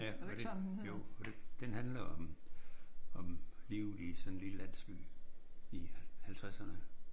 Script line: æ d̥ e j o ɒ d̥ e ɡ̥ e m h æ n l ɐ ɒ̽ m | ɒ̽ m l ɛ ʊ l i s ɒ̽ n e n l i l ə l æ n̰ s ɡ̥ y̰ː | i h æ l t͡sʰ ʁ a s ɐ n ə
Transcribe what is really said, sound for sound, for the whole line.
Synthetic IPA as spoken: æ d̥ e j o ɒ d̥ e d̥ e n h æ n l ɐ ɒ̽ m | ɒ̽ m l i ʊ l i s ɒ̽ n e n l i l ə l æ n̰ s ɡ̥ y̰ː | i h æ l t͡sʰ ʁ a s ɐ n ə